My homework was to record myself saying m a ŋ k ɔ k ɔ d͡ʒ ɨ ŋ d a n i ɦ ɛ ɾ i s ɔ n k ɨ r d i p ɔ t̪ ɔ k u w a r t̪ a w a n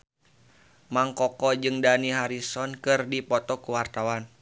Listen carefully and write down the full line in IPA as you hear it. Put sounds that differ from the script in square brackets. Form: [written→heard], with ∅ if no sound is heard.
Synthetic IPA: m a ŋ k ɔ k ɔ d͡ʒ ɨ ŋ d a n i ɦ [ɛ→a] ɾ i s ɔ n k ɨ r d i p ɔ t̪ ɔ k u w a r t̪ a w a n